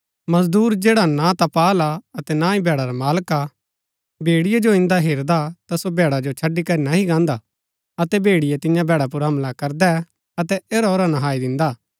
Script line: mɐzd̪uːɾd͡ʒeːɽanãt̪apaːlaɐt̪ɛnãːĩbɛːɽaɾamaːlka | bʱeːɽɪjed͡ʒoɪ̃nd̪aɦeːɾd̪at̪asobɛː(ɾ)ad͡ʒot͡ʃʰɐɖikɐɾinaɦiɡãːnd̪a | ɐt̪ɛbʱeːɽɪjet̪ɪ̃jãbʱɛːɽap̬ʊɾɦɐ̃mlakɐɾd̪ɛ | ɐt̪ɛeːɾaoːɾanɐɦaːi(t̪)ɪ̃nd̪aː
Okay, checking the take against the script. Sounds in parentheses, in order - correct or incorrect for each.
incorrect, incorrect

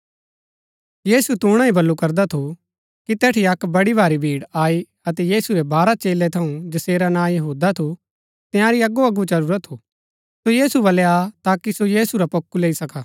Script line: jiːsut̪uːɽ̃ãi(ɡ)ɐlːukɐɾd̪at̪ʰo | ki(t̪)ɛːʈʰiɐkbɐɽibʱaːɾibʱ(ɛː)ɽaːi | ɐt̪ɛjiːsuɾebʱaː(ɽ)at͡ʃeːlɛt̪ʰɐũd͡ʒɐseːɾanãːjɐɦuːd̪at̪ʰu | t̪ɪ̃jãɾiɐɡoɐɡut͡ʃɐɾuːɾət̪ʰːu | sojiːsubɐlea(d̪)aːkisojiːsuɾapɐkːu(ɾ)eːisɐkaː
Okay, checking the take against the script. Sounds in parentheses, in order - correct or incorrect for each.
incorrect, correct, incorrect, incorrect, incorrect, incorrect

